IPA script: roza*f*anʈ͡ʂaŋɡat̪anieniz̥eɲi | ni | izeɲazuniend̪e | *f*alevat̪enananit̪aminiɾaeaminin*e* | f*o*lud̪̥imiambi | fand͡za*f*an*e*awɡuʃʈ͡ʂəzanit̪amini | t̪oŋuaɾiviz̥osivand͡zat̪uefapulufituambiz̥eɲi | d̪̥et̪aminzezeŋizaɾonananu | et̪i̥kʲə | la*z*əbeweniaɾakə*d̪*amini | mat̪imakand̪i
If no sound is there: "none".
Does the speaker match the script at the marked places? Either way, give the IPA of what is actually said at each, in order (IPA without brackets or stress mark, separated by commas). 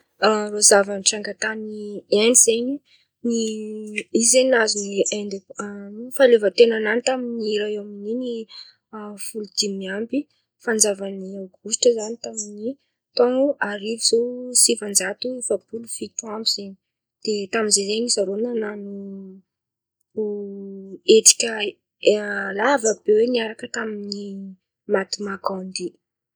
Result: v, f, i, u, v, i, v, t̪